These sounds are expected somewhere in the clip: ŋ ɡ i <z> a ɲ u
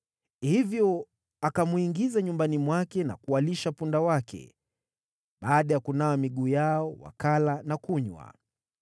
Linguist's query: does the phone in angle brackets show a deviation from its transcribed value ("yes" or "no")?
no